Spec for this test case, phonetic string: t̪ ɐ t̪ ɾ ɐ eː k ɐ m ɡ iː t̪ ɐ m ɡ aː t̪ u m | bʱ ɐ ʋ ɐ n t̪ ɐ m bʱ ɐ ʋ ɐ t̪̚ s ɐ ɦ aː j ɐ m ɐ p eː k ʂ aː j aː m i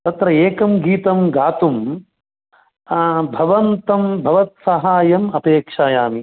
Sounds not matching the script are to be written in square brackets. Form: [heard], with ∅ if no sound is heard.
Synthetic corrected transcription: t̪ ɐ t̪ ɾ ɐ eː k ɐ m ɡ iː t̪ ɐ m ɡ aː t̪ u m | bʱ ɐ ʋ ɐ n t̪ ɐ m bʱ ɐ ʋ ɐ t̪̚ s ɐ ɦ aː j ɐ m ɐ p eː k ʂ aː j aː m i